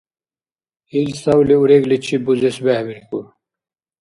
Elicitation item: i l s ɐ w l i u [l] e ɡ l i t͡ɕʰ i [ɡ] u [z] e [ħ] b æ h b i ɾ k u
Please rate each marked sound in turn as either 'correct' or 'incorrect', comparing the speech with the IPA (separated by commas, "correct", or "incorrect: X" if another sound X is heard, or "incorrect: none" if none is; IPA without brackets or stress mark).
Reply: incorrect: ɾ, incorrect: b, correct, incorrect: s